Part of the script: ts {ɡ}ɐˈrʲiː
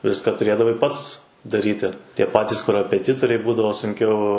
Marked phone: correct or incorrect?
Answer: incorrect